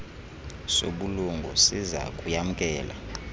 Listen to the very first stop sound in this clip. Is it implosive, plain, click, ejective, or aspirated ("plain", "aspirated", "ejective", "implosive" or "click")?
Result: implosive